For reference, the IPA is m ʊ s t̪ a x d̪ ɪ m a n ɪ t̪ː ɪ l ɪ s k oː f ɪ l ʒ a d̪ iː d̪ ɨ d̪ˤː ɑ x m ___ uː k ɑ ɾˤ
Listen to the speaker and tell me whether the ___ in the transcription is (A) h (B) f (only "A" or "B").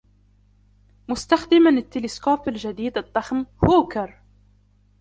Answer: A